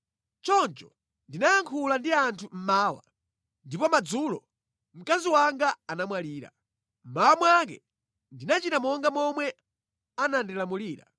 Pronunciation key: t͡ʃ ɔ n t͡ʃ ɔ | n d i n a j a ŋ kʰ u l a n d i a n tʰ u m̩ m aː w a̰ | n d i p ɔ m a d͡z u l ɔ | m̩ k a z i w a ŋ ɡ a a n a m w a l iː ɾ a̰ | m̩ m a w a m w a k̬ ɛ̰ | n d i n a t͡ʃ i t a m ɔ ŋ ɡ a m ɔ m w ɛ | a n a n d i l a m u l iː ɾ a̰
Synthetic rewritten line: t͡ʃ ɔ n t͡ʃ ɔ | n d i n a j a ŋ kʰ u l a n d i a n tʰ u m̩ m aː w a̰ | n d i p ɔ m a d͡z u l ɔ | m̩ k a z i w a ŋ ɡ a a n a m w a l iː ɾ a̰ | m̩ m a w a m w a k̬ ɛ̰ | n d i n a t͡ʃ i t a m ɔ ŋ ɡ a m ɔ m w ɛ | a n a n d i l a m u l iː ɾ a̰